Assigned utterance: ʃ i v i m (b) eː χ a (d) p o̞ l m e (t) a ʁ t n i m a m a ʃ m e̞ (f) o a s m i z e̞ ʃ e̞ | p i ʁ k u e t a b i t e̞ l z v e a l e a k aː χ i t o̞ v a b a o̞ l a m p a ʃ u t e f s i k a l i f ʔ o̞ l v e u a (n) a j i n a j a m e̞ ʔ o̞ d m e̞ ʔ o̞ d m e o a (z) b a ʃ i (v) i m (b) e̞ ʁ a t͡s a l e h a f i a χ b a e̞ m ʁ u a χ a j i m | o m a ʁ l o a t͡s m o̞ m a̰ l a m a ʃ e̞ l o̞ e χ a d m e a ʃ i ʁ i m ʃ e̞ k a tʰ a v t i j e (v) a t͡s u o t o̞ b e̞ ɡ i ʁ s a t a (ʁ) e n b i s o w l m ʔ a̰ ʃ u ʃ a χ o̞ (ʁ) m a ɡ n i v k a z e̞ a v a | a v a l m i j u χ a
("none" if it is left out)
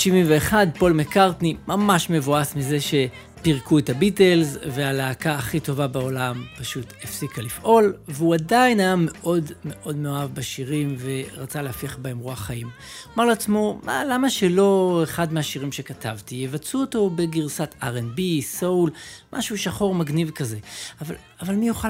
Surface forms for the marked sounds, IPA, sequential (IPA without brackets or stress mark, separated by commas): v, d, k, v, d, v, ʁ, v, v, ʁ, ʁ